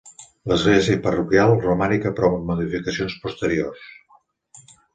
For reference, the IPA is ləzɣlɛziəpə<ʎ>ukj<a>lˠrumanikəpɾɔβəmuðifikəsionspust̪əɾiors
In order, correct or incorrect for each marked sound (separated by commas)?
incorrect, correct